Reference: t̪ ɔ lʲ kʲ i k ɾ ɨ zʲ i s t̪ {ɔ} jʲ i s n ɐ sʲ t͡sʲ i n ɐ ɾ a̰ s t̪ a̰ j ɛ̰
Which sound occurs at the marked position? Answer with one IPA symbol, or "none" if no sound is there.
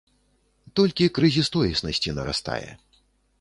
ɔ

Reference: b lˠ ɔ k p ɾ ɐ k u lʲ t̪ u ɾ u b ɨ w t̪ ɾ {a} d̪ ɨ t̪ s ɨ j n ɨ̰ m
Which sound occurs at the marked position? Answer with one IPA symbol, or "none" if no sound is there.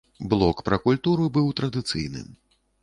ɐ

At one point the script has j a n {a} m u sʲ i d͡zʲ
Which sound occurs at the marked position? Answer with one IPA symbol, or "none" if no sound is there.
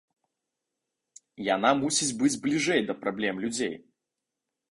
a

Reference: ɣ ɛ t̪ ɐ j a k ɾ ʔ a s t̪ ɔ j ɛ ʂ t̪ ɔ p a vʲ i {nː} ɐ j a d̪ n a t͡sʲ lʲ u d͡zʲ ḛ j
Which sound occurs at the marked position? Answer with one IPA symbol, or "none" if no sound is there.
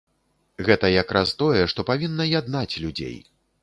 nː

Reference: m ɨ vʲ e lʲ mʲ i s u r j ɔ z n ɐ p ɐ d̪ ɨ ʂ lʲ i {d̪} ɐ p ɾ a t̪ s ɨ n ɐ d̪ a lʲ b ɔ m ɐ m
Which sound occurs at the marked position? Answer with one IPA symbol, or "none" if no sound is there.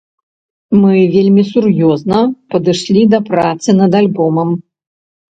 d̪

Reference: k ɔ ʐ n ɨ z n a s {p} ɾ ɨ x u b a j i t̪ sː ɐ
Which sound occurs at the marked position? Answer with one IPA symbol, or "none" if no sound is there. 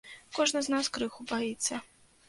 k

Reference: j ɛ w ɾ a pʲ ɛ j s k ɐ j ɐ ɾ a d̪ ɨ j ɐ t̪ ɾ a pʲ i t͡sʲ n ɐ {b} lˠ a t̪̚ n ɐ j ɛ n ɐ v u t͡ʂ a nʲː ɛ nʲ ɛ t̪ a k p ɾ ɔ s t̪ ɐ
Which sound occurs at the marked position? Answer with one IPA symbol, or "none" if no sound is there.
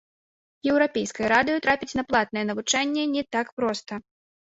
p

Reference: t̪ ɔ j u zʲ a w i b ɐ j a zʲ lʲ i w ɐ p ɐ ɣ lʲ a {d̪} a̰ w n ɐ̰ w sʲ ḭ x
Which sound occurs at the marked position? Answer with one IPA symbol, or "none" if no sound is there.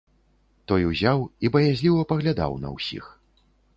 d̪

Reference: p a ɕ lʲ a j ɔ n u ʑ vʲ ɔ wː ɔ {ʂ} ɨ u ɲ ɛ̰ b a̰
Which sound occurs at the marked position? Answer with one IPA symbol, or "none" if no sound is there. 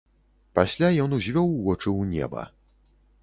t͡ʂ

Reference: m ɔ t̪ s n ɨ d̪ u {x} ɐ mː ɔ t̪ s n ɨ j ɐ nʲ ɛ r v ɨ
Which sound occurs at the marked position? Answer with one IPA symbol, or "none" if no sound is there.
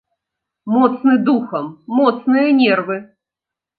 x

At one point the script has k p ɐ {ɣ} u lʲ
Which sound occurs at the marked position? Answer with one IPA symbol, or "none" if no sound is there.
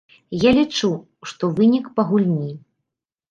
ɣ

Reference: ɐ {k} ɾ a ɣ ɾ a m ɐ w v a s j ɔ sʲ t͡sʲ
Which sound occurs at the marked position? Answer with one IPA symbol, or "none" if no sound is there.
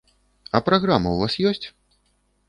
p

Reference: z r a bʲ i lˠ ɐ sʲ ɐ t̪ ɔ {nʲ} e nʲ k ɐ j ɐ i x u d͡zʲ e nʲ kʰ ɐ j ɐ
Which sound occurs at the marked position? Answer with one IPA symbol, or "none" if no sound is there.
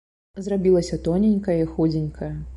nʲ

